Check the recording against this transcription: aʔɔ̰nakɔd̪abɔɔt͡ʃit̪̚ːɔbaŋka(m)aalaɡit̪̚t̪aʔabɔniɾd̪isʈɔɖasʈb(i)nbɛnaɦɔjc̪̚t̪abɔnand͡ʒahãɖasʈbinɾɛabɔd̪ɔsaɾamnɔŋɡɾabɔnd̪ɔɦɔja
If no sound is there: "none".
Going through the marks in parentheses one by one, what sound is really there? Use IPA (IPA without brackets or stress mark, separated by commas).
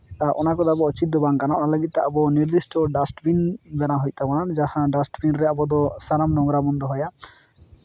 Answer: n, i